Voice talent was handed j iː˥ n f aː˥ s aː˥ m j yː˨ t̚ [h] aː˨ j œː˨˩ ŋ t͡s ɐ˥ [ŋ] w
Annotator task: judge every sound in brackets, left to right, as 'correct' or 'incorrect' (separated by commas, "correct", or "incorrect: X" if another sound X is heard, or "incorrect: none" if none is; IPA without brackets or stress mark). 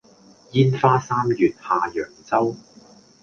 correct, incorrect: none